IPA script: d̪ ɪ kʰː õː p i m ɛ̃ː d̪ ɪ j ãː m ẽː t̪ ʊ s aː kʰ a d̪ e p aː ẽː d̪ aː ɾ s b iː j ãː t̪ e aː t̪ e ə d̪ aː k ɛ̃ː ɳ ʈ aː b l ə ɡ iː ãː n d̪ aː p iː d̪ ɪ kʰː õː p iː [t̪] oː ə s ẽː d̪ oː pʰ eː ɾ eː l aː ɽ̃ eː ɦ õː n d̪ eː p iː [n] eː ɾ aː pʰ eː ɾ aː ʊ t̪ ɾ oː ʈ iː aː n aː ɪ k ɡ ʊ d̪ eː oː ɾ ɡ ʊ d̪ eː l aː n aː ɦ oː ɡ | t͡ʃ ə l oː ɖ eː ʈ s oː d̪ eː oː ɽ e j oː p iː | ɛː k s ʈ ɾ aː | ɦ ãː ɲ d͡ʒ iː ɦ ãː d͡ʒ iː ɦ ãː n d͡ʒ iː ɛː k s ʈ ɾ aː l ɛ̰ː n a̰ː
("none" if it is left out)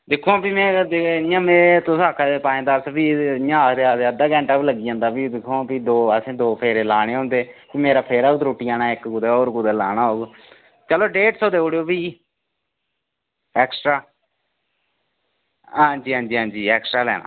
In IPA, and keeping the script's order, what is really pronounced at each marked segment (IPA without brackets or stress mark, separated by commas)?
d̪, m